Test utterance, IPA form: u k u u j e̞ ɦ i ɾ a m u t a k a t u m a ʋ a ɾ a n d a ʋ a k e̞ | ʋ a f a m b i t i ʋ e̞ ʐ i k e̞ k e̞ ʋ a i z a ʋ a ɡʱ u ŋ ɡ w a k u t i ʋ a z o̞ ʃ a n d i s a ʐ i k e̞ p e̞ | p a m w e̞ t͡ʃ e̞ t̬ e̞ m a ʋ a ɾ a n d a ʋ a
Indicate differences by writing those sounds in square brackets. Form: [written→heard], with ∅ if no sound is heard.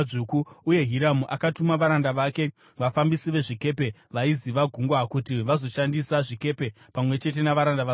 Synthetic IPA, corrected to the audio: u k u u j e̞ ɦ i ɾ a m u [t→ʔ] a k a t u m a ʋ a ɾ a n d a ʋ a k e̞ | ʋ a f a m b i [t→s] i ʋ e̞ ʐ i k e̞ [k→p] e̞ ʋ a i z [a→i] ʋ a ɡʱ u ŋ ɡ w a k u t i ʋ a z o̞ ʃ a n d i s a ʐ i k e̞ p e̞ | p a m w e̞ t͡ʃ e̞ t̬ e̞ [m→n] a ʋ a ɾ a n d a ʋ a